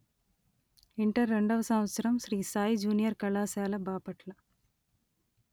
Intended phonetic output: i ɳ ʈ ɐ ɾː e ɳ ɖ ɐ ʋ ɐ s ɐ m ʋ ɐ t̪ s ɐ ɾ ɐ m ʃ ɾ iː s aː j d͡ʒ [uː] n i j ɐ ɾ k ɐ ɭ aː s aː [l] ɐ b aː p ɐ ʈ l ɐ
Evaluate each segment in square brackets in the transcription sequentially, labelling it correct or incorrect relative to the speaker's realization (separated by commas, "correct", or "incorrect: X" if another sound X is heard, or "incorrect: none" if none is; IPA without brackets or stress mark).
correct, correct